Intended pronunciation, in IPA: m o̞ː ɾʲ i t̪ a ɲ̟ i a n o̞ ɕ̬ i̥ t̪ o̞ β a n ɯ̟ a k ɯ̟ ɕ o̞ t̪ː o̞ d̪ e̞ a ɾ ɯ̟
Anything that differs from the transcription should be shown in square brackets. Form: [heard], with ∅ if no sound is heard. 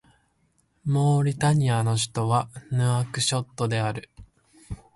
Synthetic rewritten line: m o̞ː ɾʲ i t̪ a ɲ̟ i a n o̞ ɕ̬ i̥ t̪ o̞ β a n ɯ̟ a k ɯ̟ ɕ o̞ t̪ː o̞ d̪ e̞ a ɾ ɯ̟